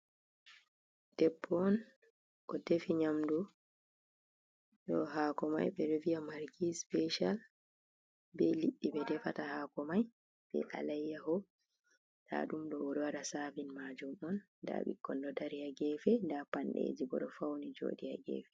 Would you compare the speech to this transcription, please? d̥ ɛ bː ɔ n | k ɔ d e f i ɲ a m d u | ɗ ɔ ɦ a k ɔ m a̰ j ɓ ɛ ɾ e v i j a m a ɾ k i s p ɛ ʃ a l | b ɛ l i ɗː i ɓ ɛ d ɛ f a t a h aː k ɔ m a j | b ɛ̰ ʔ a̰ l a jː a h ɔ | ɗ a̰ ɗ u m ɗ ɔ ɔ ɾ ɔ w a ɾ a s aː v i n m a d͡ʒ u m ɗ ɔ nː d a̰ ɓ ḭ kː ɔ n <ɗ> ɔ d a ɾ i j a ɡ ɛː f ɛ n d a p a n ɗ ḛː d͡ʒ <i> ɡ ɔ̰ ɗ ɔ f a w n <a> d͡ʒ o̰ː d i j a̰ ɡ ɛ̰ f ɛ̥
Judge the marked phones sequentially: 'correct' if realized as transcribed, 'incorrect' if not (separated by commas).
incorrect, correct, incorrect